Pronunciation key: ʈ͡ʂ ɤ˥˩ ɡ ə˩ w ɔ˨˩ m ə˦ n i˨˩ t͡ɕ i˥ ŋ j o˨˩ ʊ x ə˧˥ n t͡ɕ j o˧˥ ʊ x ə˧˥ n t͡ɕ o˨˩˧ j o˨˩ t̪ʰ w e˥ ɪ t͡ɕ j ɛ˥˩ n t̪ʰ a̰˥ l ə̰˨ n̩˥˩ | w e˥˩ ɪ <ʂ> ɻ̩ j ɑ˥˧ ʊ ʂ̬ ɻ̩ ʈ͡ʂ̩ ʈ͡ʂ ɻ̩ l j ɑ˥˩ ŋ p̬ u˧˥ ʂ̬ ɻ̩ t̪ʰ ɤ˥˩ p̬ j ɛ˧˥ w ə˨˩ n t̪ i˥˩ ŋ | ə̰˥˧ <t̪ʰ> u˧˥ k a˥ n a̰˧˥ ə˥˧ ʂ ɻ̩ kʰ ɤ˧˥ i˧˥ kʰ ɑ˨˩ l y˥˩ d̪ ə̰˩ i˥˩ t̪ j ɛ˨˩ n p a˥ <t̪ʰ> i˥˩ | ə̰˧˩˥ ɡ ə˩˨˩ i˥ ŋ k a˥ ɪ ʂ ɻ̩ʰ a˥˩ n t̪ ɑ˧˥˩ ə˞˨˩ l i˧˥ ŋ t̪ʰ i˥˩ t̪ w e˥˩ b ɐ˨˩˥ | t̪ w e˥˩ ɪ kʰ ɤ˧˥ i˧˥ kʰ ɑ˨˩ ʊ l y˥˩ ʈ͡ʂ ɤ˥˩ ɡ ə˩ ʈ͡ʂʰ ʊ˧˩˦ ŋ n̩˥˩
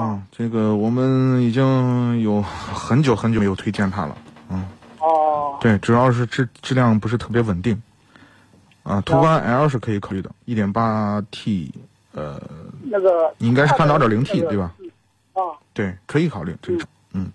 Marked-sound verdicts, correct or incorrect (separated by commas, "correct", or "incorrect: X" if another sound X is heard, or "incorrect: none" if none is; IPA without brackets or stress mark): incorrect: ʈ͡ʂ, correct, correct